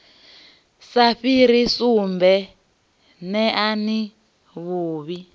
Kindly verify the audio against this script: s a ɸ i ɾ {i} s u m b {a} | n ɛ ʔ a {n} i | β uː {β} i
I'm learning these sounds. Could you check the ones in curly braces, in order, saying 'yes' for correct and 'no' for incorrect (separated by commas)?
yes, no, yes, yes